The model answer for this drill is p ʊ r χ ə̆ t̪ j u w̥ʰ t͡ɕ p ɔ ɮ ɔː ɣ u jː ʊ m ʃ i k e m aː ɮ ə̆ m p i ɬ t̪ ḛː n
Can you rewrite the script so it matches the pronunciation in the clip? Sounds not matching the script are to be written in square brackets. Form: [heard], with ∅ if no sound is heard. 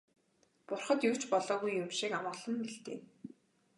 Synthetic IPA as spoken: p ʊ r χ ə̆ t̪ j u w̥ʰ t͡ɕ p ɔ ɮ ɔː ɣ u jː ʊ m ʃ i k [a] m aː ɮ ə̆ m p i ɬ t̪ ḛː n